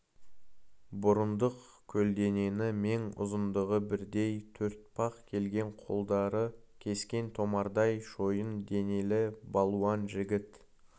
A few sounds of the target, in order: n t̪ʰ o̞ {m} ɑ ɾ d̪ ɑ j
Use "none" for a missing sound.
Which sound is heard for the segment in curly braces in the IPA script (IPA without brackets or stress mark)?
m